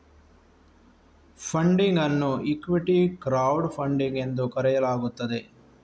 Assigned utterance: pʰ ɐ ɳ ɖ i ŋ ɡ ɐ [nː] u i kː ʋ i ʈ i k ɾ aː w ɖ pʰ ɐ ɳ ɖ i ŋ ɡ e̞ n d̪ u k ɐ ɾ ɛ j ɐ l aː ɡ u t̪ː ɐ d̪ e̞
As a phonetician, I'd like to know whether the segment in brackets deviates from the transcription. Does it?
no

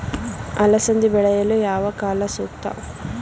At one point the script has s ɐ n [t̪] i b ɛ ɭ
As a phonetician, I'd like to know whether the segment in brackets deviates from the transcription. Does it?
yes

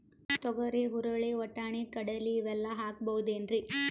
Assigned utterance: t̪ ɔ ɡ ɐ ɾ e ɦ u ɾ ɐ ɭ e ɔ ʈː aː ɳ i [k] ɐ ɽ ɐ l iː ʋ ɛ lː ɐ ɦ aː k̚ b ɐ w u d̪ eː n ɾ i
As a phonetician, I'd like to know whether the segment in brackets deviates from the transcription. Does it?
no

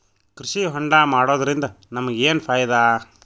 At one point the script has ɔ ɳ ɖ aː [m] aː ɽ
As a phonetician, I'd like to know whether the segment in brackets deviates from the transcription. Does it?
no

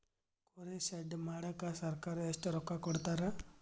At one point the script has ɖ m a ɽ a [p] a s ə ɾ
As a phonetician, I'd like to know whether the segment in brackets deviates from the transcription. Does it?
yes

